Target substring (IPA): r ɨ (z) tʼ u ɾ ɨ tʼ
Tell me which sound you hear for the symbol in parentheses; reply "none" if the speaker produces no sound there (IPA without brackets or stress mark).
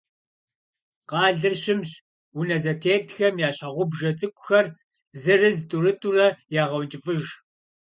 z